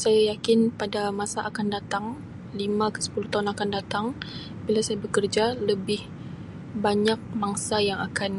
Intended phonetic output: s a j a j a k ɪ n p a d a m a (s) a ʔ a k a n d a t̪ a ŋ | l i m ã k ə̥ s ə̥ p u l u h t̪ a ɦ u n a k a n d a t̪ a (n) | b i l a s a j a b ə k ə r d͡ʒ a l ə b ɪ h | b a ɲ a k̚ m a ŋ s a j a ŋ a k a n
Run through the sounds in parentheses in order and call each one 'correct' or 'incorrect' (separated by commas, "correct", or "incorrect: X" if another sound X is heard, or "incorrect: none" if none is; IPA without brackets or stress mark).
correct, incorrect: ŋ